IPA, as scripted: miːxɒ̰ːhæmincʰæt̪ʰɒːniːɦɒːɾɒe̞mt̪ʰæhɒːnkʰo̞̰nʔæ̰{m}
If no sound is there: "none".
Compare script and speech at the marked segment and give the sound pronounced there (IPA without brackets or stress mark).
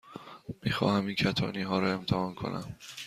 m